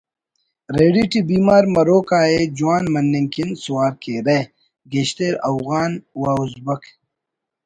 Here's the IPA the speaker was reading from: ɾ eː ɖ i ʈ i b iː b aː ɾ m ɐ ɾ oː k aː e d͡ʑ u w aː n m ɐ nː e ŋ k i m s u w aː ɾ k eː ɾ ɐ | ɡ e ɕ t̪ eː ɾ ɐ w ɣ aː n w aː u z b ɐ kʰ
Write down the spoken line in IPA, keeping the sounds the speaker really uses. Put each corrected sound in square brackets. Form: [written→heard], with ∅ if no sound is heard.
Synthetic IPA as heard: ɾ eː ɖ i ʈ i b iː [b→m] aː ɾ m ɐ ɾ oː k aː e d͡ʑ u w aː n m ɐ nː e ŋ k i [m→n] s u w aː ɾ k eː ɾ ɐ | ɡ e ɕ t̪ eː ɾ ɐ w ɣ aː n w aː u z b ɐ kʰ